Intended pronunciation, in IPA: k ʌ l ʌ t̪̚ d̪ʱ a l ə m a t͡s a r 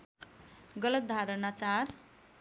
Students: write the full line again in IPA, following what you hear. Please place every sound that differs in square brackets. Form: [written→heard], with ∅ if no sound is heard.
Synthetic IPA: [k→ɡ] ʌ l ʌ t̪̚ d̪ʱ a [l→ɾ] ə [m→n] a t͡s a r